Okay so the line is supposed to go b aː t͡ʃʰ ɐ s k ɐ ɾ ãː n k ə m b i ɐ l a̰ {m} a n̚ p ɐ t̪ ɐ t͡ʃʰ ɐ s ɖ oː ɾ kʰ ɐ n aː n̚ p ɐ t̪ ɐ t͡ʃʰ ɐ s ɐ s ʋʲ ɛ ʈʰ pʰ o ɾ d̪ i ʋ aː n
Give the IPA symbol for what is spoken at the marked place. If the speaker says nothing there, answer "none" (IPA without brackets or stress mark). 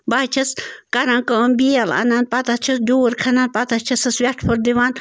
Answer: n